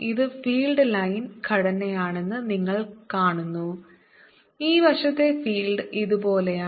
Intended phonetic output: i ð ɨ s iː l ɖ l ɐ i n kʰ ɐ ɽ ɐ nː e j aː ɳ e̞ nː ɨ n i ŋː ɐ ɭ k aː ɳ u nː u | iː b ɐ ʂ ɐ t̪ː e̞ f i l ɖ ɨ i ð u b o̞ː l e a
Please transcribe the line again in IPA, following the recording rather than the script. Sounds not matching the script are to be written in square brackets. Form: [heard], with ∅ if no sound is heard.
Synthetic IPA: i ð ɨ [f] iː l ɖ l ɐ [j] n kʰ ɐ ɽ ɐ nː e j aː ɳ e̞ nː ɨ n i ŋː ɐ ɭ k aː ɳ u nː u | iː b ɐ ʂ ɐ t̪ː e̞ f [iː] l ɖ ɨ i ð u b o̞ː l e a